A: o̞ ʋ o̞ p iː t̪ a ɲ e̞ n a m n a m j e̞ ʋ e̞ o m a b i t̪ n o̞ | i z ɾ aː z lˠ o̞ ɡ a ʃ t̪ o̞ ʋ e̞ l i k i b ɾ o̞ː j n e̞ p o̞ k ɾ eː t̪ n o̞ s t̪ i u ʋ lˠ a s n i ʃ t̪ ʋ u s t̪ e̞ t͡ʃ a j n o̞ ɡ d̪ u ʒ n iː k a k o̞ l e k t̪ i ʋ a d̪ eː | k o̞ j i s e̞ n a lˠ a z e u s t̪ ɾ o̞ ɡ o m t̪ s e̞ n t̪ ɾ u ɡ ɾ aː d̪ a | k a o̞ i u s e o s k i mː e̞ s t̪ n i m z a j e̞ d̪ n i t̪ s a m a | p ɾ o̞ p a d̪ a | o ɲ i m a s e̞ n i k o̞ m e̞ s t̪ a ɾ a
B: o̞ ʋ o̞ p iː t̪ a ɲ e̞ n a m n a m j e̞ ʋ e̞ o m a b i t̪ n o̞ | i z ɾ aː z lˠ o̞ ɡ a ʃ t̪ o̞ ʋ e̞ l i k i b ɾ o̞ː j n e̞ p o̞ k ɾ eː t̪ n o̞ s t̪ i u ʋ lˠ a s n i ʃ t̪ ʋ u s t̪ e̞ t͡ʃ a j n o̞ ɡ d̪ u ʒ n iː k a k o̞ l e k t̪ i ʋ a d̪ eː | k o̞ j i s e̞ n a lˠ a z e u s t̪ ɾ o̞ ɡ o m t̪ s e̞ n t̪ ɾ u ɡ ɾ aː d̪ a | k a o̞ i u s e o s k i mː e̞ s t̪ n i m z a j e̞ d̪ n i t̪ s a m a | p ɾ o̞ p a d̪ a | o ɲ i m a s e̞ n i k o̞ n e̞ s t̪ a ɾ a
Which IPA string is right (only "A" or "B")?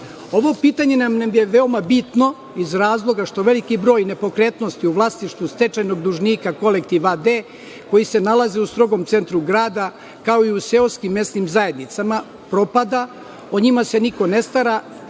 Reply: B